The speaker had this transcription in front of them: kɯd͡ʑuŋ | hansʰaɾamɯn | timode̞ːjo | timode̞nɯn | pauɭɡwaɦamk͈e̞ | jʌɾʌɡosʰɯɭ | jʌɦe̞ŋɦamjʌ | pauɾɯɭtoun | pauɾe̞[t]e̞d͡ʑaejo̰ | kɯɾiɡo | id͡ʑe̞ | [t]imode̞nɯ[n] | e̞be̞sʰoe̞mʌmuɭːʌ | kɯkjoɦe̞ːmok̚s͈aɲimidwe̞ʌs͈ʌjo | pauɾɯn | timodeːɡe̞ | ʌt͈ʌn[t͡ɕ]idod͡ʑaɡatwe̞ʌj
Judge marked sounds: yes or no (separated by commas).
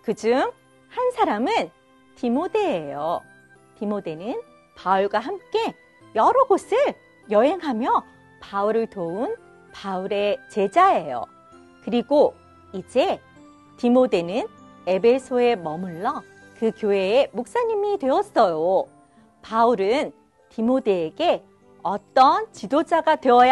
no, yes, yes, yes